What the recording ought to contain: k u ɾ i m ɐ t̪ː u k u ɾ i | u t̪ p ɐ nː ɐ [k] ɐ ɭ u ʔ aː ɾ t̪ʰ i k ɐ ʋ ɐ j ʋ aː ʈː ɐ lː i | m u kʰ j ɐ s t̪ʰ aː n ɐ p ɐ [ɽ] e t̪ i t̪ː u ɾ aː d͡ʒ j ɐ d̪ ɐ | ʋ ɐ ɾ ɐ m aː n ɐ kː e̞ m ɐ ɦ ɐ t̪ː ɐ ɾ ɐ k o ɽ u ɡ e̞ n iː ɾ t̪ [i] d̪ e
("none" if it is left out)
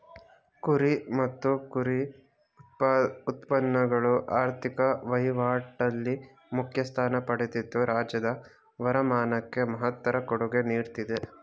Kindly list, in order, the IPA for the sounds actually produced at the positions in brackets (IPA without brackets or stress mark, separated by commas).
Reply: ɡ, ɽ, i